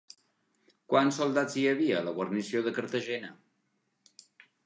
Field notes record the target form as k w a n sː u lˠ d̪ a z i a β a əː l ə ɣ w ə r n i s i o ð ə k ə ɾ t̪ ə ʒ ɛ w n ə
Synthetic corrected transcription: k w a n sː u lˠ d̪ a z i ə β i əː l ə ɣ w ə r n i s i o ð ə k ə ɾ t̪ ə ʒ ɛ n ə